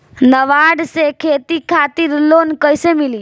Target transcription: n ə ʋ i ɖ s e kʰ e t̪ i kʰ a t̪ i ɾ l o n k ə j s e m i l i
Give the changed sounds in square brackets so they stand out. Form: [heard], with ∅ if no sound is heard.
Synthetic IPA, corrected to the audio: n ə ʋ [a] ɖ s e kʰ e t̪ i kʰ a t̪ i ɾ l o n k ə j s e m i l i